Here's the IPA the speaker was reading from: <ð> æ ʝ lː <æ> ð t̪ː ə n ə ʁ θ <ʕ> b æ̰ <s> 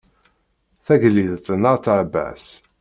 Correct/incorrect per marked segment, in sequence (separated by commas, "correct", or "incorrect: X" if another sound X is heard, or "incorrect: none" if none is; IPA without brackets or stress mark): incorrect: θ, incorrect: i, correct, correct